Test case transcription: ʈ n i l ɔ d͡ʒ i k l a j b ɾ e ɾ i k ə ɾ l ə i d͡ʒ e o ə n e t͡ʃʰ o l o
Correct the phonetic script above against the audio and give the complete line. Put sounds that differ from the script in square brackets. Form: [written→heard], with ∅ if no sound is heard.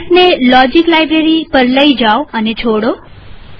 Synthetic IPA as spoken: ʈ n [i→e] l ɔ d͡ʒ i k l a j b ɾ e ɾ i [k→p] ə ɾ l ə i d͡ʒ [e→a] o ə n e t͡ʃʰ o [l→ɽ] o